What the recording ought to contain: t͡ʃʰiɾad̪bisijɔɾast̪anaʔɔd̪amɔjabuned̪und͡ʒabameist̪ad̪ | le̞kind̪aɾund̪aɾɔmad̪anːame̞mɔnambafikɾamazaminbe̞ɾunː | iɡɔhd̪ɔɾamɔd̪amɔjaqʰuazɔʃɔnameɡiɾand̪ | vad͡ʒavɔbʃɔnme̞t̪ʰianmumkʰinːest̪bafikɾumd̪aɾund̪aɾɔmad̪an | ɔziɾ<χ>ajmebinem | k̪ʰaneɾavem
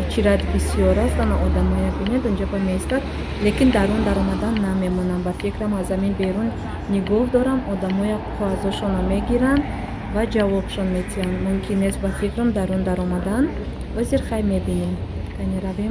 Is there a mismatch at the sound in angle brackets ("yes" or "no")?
no